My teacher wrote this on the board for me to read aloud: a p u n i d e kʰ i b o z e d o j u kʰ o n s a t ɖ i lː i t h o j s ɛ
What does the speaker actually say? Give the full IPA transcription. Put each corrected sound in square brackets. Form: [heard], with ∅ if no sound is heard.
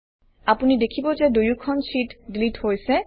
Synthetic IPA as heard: a p u n i d e kʰ i b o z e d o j u kʰ [ɔ] n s [i] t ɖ i [l] i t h o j s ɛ